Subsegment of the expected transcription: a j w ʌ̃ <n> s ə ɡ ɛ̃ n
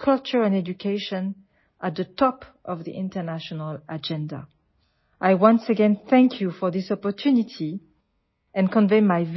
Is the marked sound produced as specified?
yes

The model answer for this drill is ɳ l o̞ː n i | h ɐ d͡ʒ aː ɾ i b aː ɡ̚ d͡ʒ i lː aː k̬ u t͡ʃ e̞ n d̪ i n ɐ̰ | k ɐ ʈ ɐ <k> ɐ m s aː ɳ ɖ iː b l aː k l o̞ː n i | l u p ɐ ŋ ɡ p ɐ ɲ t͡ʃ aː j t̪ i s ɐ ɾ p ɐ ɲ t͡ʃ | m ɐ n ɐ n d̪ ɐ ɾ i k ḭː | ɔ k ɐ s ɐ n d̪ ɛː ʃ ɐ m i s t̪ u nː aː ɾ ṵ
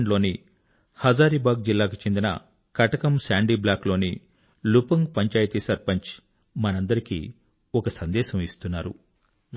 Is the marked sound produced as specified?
yes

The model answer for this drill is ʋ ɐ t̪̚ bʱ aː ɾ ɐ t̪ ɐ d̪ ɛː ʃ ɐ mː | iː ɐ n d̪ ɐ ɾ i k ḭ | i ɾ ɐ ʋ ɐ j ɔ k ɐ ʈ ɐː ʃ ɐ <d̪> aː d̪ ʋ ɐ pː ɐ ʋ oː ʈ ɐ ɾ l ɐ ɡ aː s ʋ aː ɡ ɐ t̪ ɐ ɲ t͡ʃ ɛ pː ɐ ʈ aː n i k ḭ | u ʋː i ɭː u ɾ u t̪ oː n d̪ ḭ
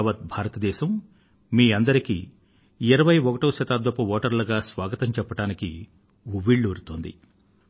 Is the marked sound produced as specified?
no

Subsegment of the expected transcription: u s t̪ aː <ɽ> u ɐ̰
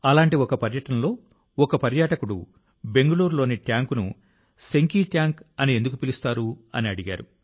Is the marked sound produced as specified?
no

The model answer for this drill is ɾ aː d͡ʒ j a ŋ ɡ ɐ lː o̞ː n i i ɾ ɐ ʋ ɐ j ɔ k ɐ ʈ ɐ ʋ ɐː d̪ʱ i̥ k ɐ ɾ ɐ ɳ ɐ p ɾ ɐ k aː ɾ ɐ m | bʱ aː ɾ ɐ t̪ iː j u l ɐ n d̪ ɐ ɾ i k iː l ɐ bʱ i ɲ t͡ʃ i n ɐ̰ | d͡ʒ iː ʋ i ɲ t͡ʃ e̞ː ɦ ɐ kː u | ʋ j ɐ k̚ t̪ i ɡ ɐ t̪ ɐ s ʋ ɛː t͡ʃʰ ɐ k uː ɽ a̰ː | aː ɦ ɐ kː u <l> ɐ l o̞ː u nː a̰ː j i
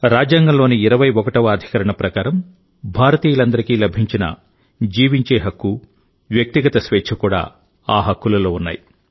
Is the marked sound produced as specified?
yes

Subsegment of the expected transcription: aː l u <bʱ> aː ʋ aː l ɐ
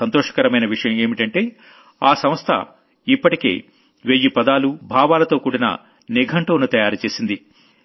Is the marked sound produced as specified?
yes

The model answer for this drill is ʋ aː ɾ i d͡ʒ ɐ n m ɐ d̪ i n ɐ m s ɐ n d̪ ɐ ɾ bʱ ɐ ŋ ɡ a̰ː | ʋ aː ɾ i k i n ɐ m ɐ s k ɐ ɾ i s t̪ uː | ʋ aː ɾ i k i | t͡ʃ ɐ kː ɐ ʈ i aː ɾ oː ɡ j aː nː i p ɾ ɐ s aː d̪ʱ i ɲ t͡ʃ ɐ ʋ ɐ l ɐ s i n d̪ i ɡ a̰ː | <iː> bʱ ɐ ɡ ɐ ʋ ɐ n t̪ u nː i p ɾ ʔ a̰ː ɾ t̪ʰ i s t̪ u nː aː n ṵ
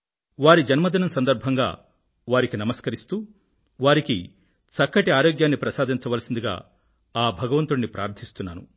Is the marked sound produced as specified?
no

